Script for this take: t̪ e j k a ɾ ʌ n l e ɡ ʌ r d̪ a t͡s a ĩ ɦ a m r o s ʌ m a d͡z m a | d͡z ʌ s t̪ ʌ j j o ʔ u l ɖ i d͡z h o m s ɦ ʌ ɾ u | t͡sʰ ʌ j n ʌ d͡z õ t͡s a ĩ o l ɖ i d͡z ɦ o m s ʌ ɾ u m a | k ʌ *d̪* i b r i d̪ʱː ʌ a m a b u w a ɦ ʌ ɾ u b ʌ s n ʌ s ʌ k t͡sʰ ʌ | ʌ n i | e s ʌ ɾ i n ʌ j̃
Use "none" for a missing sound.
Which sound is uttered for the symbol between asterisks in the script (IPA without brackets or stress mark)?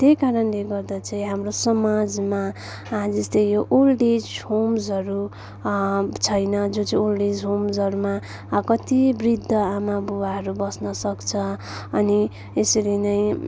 t̪